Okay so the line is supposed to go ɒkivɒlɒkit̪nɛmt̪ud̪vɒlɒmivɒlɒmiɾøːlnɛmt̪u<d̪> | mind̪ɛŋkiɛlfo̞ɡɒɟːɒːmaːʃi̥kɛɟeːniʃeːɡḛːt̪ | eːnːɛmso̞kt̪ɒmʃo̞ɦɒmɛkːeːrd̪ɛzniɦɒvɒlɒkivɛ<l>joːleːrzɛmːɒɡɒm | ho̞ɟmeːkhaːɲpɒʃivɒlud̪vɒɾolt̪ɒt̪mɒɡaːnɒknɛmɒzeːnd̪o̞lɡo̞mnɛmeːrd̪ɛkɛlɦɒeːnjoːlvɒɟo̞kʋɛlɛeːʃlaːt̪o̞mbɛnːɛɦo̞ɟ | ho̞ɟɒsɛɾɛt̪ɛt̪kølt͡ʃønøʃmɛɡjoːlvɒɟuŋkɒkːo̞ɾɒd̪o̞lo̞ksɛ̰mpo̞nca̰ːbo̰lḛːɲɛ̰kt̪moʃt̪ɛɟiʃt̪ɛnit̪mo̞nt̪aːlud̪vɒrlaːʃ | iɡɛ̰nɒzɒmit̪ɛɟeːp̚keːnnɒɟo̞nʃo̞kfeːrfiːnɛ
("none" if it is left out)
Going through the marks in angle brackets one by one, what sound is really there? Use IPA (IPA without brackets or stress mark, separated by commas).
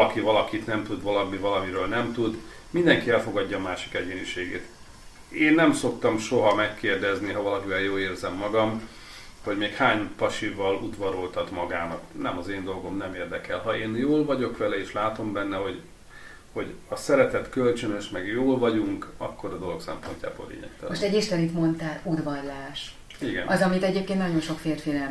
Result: d̪, l